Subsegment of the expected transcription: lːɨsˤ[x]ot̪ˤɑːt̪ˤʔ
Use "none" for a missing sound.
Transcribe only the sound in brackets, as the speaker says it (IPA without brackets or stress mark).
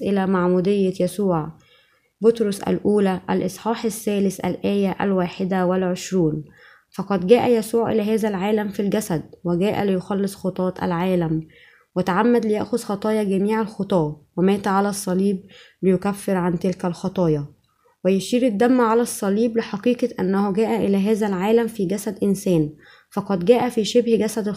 x